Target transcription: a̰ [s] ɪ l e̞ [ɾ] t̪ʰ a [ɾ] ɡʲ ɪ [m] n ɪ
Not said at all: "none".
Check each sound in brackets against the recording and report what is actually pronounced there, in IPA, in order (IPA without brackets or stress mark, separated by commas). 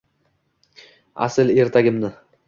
s, ɾ, none, m